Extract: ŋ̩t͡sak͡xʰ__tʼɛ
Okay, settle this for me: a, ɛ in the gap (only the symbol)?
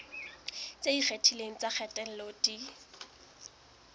ɛ